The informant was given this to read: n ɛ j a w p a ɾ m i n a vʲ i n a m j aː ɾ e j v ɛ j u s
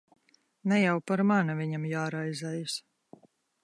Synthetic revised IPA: n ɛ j a w p a ɾ m a n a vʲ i ɲ a m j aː ɾ a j z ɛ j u s